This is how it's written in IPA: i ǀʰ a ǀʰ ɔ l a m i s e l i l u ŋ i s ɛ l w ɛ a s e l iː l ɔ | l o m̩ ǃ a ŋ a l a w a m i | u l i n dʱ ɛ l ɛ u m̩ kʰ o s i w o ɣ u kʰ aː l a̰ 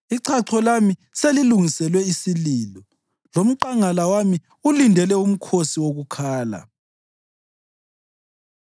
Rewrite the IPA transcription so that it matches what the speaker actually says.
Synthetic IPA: i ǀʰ a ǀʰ ɔ l a m i s e l i l u ŋ i s ɛ l w ɛ i s i l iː l ɔ | l o m̩ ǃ a ŋ a l a w a m i | u l i n dʱ ɛ l ɛ u m̩ kʰ o s i w o ɣ u kʰ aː l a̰